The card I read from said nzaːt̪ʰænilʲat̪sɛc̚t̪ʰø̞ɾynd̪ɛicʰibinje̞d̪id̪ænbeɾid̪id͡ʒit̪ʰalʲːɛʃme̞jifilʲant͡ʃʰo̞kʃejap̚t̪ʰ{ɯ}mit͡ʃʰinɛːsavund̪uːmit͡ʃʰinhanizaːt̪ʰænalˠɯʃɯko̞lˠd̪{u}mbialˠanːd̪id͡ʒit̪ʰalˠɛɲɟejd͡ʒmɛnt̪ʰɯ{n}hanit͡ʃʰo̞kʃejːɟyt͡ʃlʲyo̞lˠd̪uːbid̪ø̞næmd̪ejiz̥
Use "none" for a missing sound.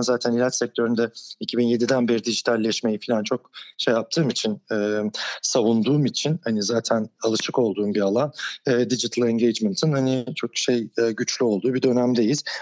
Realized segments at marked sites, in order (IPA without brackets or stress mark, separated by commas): ɯː, uː, n